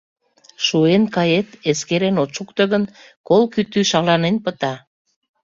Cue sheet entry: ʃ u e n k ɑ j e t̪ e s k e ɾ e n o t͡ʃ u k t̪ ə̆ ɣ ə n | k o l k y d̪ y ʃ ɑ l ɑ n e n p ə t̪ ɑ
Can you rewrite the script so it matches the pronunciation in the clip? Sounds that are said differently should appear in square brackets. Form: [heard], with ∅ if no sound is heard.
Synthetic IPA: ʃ u e n k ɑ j e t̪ e s k e ɾ e n o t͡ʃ u k t̪ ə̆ ɣ ə n | k o l k y [t̪] y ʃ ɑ l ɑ n e n p ə t̪ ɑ